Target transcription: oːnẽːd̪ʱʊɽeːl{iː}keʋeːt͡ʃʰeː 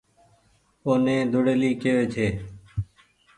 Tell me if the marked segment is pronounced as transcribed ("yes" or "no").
yes